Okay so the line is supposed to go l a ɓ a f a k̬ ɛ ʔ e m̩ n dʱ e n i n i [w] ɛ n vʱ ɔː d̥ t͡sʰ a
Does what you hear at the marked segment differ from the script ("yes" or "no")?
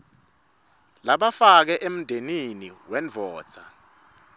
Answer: no